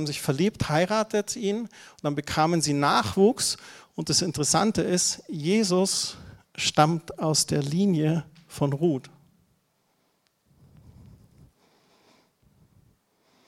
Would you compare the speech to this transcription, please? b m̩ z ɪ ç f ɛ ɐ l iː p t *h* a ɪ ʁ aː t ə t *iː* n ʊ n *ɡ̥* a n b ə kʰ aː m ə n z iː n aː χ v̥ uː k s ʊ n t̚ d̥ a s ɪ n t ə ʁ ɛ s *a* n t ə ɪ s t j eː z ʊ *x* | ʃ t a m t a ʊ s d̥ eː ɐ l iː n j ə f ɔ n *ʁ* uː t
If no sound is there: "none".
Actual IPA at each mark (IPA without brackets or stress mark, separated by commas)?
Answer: h, iː, d̥, a, s, ʁ